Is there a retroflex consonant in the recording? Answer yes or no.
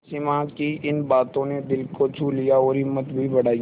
yes